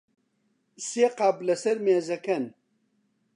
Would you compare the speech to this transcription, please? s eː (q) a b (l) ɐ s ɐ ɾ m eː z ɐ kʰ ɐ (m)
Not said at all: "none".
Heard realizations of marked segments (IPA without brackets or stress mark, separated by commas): q, l, n